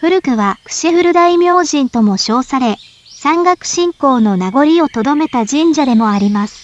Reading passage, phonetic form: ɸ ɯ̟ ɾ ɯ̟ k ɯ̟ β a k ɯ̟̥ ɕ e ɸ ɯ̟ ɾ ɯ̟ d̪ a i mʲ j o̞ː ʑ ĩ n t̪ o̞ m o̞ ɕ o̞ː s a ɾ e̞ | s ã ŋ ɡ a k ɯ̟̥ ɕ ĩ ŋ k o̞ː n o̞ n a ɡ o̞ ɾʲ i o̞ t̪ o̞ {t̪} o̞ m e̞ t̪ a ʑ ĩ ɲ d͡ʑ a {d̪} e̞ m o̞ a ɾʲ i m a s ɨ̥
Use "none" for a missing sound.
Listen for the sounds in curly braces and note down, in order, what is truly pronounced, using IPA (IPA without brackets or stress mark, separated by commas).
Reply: d̪, d̪